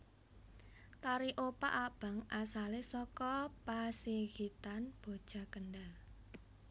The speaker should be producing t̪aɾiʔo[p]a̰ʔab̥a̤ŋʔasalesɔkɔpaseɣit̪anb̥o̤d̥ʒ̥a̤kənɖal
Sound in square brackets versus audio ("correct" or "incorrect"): correct